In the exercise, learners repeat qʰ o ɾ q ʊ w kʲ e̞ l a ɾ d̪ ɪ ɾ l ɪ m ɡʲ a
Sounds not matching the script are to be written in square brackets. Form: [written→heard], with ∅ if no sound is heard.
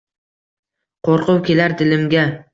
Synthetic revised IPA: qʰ o ɾ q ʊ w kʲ e̞ l a ɾ d̪ ɪ [ɾ→∅] l ɪ m ɡʲ a